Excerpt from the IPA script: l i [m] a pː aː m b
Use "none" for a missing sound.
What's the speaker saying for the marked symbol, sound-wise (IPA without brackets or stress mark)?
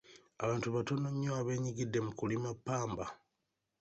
m